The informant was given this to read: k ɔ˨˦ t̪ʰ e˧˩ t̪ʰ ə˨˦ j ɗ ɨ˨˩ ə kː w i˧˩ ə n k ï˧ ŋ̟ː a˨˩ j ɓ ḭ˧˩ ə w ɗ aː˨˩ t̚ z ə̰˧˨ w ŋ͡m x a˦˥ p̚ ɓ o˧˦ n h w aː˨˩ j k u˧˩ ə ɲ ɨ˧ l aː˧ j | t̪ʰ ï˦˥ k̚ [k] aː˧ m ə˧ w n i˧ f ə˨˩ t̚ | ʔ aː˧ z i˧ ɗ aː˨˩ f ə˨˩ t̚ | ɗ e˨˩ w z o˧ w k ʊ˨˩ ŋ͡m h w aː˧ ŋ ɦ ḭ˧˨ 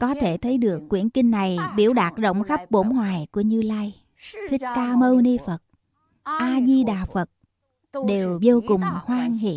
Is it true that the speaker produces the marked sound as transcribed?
yes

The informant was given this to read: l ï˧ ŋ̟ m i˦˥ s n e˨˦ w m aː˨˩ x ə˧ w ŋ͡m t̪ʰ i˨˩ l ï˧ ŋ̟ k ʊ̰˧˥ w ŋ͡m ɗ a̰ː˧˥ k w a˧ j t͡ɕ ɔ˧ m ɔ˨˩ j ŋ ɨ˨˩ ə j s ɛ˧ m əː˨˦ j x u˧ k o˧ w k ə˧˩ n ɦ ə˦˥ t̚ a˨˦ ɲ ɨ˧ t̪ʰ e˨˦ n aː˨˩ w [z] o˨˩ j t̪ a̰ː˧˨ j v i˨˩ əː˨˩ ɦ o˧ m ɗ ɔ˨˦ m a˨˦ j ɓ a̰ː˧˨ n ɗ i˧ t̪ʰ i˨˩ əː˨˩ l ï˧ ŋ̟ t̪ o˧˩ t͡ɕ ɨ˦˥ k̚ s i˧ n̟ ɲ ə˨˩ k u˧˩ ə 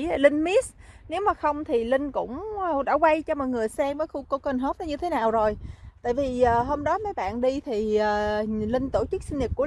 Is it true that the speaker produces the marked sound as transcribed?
yes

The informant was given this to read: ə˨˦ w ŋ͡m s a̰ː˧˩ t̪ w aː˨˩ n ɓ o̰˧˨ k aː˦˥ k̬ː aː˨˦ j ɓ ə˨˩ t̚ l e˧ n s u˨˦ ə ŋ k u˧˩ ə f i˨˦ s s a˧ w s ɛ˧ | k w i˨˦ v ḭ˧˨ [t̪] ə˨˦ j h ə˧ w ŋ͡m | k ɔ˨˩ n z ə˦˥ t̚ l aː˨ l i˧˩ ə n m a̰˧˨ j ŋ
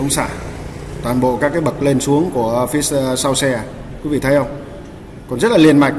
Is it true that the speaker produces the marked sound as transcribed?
no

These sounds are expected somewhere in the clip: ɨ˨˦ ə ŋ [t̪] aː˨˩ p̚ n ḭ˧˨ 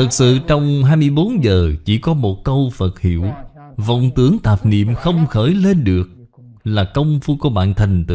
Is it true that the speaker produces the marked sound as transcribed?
yes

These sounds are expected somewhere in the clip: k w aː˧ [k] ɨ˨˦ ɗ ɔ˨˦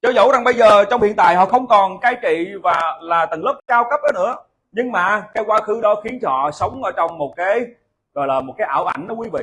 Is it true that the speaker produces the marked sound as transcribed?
no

